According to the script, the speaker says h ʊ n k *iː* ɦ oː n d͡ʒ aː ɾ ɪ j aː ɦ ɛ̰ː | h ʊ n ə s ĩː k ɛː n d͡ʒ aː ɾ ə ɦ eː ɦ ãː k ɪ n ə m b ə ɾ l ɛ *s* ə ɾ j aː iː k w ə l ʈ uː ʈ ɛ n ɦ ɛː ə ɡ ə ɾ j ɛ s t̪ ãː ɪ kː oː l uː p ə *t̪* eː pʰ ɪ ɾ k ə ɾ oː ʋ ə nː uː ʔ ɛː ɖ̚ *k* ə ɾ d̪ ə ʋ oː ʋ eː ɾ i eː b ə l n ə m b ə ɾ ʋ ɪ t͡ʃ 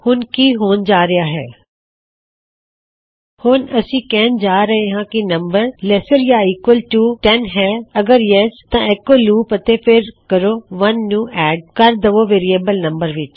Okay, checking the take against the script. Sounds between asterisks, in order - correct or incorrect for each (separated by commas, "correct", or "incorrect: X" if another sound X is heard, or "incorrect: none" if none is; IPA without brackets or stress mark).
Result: correct, correct, correct, correct